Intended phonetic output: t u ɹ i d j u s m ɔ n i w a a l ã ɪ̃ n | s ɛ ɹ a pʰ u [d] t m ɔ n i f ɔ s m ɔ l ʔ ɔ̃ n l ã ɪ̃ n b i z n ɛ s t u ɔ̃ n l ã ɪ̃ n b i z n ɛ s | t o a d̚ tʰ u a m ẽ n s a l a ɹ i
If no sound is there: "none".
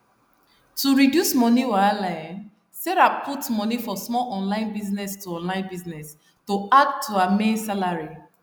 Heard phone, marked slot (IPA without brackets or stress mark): none